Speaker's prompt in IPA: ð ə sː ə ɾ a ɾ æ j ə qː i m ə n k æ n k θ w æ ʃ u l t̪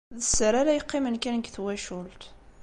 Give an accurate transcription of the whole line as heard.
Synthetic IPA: ð ə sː ə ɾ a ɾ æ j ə qː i m ə n k æ n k θ w æ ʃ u l t̪